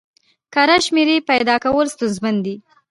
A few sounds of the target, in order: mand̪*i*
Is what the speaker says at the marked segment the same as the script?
yes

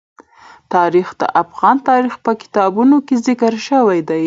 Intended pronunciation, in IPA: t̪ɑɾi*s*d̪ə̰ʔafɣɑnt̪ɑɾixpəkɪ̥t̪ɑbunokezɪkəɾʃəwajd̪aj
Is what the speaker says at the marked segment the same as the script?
no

